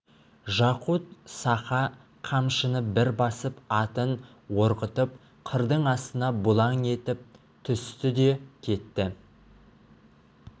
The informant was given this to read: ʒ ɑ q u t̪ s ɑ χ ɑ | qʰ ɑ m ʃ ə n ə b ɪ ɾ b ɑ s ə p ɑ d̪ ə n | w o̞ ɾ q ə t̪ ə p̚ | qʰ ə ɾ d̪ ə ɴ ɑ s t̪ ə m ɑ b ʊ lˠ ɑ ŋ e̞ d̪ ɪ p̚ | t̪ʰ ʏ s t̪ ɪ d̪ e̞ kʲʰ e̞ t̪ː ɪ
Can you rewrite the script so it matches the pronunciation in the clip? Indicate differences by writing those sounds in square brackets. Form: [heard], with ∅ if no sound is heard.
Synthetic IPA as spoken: ʒ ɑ q u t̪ s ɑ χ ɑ | qʰ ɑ m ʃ ə n ə b ɪ ɾ b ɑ s ə p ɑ [t̪] ə n | w o̞ ɾ q ə t̪ ə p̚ | qʰ ə ɾ d̪ ə ɴ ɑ s t̪ ə [n] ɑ b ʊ lˠ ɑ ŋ e̞ [t̪] ɪ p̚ | t̪ʰ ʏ s t̪ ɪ d̪ e̞ kʲʰ e̞ t̪ː ɪ